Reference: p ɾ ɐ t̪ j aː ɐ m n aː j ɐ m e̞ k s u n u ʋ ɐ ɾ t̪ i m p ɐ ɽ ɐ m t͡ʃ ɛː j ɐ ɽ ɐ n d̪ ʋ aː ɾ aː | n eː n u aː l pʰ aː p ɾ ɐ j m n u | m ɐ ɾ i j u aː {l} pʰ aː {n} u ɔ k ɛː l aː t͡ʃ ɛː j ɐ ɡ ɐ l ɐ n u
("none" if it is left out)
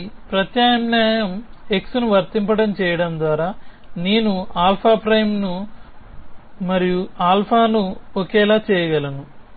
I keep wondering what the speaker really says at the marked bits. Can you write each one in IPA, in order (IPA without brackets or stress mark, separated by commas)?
l, n